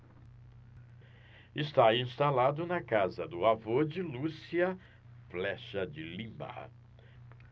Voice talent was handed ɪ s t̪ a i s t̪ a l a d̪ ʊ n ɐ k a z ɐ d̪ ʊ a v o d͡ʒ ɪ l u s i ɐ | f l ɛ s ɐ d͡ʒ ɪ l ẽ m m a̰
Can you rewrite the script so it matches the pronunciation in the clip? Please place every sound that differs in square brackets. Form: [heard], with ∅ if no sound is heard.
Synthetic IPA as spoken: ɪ s t̪ a [ĩ] s t̪ a l a d̪ ʊ n ɐ k a z ɐ d̪ ʊ a v o d͡ʒ ɪ l u s i ɐ | f l ɛ [ʃ] ɐ d͡ʒ ɪ l [ĩ] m [b] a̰